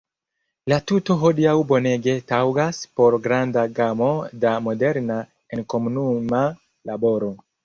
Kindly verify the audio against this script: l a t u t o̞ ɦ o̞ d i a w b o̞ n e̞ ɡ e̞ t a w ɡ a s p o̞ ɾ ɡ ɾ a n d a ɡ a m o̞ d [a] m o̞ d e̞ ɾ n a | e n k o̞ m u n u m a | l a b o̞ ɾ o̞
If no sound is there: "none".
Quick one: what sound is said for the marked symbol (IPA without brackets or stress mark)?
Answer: a